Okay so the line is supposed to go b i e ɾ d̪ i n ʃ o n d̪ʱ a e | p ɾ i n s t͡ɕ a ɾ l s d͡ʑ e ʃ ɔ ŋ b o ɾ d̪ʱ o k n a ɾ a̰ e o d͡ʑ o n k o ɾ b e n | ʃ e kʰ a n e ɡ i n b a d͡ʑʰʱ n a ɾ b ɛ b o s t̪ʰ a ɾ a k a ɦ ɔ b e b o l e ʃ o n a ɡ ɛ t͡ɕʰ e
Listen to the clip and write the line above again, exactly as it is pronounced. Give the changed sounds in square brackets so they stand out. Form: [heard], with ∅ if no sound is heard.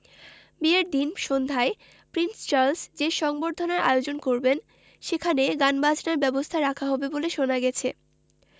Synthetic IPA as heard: b i e ɾ d̪ i n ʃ o n d̪ʱ a e | p ɾ i n s t͡ɕ a ɾ l s d͡ʑ e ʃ ɔ ŋ b o ɾ d̪ʱ o [∅] n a ɾ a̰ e o d͡ʑ o n k o ɾ b e n | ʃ e kʰ a n e ɡ [a] n b a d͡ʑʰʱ n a ɾ b ɛ b o s t̪ʰ a ɾ a [kʰ] a ɦ ɔ b e b o l e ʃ o n a ɡ ɛ t͡ɕʰ e

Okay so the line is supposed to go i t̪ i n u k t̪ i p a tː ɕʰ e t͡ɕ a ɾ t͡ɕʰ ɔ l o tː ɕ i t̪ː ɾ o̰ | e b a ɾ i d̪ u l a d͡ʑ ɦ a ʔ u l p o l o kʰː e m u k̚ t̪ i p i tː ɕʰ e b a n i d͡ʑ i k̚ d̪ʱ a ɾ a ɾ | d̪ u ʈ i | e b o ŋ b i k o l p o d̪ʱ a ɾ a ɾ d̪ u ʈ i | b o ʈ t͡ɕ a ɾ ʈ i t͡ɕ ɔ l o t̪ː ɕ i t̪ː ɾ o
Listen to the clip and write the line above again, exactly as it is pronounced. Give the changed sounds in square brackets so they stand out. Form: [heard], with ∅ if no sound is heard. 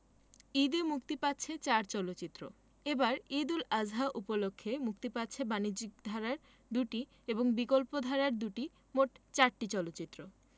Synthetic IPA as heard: i [d̪] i [m] u k t̪ i p a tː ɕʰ e t͡ɕ a ɾ [t͡ɕ] ɔ l o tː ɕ i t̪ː ɾ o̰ | e b a ɾ i d̪ u l a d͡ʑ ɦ a ʔ u [∅] p o l o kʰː e m u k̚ t̪ i p [a] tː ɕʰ e b a n i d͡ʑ i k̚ d̪ʱ a ɾ a ɾ | d̪ u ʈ i | e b o ŋ b i k o l p o d̪ʱ a ɾ a ɾ d̪ u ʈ i | [m] o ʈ t͡ɕ a ɾ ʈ i t͡ɕ ɔ l o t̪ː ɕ i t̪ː ɾ o

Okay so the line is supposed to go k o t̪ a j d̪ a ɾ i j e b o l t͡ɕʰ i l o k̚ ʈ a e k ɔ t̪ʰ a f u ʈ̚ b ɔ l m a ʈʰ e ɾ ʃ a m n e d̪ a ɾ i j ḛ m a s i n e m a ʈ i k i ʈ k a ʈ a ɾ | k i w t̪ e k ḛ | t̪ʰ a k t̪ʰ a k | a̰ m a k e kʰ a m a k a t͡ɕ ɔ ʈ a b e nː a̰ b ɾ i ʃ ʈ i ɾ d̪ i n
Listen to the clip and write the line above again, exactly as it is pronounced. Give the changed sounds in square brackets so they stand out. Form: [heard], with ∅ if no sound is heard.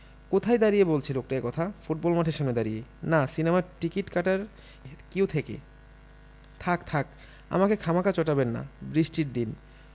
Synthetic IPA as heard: k o [t̪ʰ] a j d̪ a ɾ i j e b o l t͡ɕʰ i l o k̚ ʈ a e k ɔ t̪ʰ a f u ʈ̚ b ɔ l m a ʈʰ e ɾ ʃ a m n e d̪ a ɾ i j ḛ [n] a s i n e m a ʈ i k i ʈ k a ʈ a ɾ | k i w [t̪ʰ] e k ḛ | t̪ʰ a k t̪ʰ a k | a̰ m a k e kʰ a m a k a t͡ɕ ɔ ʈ a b e nː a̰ b ɾ i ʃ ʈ i ɾ d̪ i n

